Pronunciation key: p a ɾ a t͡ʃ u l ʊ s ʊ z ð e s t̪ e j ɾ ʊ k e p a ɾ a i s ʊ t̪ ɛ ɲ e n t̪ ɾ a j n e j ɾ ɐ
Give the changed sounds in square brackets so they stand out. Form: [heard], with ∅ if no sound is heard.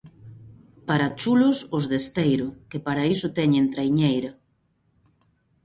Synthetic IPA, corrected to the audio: p a ɾ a t͡ʃ u l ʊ s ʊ z ð e s t̪ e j ɾ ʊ k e p a ɾ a i s ʊ t̪ ɛ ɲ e n t̪ ɾ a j [ɲ] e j ɾ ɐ